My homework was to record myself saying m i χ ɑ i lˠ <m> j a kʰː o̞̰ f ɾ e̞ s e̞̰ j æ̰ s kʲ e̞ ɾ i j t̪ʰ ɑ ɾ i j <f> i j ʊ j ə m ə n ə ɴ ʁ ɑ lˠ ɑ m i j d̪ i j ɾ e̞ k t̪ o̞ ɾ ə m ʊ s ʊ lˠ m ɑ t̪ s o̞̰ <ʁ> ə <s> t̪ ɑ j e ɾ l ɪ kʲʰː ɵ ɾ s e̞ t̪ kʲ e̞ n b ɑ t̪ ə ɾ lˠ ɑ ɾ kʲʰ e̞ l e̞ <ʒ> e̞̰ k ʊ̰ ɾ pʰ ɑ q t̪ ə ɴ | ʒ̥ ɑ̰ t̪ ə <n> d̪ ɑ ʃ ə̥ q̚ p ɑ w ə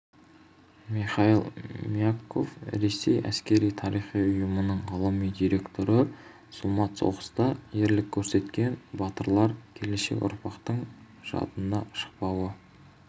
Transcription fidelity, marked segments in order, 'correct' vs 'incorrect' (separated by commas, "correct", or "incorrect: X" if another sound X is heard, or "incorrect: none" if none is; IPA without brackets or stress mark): correct, incorrect: χ, correct, correct, incorrect: ʃ, correct